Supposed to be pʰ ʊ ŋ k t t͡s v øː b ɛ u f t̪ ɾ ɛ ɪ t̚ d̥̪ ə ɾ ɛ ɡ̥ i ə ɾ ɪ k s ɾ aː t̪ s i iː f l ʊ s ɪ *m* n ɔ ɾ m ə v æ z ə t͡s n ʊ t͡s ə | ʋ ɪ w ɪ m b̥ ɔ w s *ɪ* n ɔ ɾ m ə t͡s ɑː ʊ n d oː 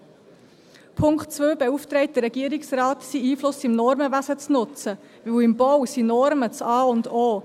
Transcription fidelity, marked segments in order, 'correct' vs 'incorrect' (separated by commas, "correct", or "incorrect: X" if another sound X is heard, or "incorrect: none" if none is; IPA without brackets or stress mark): correct, incorrect: i